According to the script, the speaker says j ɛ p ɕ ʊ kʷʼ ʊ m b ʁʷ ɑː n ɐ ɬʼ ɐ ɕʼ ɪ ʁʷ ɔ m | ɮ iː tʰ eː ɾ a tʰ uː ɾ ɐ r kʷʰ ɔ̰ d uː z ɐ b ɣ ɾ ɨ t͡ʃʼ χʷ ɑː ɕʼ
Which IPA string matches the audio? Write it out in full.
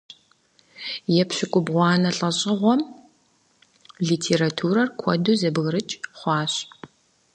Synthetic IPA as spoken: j ɛ p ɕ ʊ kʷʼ ʊ b ʁʷ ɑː n ɐ ɬʼ ɐ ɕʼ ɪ ʁʷ ɔ m | ɮ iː tʰ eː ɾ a tʰ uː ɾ ɐ r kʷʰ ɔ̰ d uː z ɐ b ɣ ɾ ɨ t͡ʃʼ χʷ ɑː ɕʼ